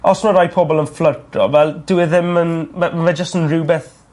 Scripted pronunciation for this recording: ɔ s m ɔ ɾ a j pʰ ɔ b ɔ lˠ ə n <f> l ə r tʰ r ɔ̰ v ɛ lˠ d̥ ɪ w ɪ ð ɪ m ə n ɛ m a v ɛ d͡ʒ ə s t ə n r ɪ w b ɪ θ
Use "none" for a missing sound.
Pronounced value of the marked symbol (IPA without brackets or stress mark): f